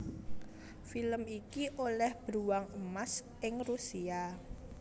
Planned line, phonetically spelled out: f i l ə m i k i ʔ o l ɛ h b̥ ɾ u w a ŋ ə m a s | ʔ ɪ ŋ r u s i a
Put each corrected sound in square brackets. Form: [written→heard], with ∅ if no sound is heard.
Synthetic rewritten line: f i l ə m i k i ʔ o l ɛ h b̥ ɾ u w a ŋ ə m a s | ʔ ɪ ŋ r u s i a